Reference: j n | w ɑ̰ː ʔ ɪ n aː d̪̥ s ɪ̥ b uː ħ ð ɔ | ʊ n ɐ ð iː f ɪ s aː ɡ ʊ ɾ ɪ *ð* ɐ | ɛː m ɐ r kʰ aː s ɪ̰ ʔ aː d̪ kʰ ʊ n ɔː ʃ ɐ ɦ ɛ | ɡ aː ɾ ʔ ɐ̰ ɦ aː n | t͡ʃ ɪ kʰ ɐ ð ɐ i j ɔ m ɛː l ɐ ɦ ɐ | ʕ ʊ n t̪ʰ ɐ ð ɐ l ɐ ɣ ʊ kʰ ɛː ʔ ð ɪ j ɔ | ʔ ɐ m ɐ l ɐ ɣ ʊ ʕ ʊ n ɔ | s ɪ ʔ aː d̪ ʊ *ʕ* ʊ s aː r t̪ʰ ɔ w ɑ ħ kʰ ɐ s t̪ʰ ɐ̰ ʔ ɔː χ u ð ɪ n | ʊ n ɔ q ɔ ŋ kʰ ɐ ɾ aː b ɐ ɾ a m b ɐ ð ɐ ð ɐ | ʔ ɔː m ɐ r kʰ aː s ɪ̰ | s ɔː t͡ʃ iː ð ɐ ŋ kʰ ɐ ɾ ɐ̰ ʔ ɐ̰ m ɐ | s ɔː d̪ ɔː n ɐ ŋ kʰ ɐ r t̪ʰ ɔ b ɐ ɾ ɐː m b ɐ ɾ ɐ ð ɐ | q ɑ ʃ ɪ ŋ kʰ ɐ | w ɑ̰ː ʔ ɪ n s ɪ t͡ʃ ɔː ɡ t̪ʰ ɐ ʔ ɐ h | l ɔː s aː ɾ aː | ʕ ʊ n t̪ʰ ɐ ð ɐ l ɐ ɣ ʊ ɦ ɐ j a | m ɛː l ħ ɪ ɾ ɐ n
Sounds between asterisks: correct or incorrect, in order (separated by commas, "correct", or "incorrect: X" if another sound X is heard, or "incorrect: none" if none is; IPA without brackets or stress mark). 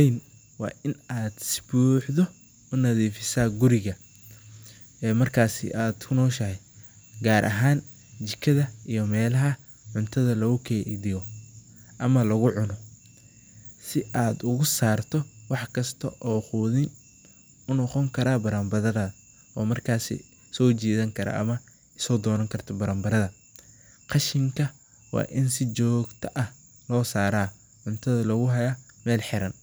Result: incorrect: ɣ, incorrect: ɣ